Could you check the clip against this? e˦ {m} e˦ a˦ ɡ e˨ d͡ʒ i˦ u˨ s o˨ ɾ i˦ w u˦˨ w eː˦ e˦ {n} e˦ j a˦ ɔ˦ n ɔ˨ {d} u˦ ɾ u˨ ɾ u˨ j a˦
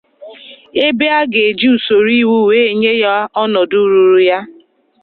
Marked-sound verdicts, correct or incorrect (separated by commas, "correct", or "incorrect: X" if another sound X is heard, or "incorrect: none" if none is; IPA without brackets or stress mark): incorrect: b, incorrect: ɲ, correct